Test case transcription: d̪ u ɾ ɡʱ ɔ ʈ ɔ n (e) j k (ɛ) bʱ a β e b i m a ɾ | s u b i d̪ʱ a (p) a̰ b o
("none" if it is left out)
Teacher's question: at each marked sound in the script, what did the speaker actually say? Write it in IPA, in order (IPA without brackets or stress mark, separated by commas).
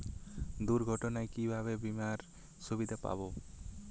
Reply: a, i, p